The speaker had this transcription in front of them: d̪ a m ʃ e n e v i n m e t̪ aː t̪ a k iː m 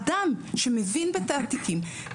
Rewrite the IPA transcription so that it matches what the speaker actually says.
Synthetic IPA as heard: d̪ a m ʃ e m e v i n b e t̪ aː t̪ i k i m